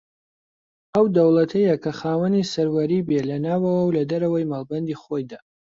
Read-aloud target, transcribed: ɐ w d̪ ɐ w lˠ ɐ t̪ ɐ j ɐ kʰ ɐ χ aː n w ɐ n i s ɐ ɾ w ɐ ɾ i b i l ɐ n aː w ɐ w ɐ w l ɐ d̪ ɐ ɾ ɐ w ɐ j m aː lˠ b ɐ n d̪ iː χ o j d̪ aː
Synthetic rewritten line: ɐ w d̪ ɐ w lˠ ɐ t̪ʰ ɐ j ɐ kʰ ɐ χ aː w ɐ n i s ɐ ɾ w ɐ ɾ i b e l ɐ n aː w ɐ w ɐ w l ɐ d̪ ɐ ɾ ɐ w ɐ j m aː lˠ b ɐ n d̪ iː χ o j d̪ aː